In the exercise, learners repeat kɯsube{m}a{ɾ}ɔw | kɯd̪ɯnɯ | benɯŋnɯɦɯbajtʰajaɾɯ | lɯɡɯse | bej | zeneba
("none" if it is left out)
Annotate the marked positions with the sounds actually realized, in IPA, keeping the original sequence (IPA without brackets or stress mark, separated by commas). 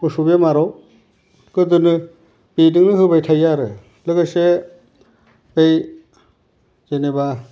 m, ɾ